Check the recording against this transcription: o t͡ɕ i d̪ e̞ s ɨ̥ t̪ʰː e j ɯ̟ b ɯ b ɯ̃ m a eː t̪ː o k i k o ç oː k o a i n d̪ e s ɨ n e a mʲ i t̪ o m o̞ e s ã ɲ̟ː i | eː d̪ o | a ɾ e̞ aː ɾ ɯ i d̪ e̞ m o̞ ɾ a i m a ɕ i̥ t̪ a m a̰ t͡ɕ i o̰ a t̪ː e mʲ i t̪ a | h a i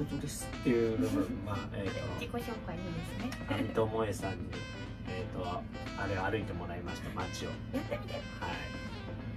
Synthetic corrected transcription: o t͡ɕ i d̪ e̞ s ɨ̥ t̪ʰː e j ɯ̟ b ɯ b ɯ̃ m a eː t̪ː o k i k o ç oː k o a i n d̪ e s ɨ n e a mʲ i t̪ o m o̞ e s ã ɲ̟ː i | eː t̪ o | a ɾ e̞ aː ɾ ɯ i t̪ e̞ m o̞ ɾ a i m a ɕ i̥ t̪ a m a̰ t͡ɕ i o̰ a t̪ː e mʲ i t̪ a | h a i